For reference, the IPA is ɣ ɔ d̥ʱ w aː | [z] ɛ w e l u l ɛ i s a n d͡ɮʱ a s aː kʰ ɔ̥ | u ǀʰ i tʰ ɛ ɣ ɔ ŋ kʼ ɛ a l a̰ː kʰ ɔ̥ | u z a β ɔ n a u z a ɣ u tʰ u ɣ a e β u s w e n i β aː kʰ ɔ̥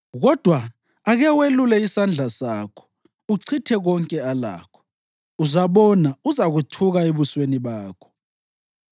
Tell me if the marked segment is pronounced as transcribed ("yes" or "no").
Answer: no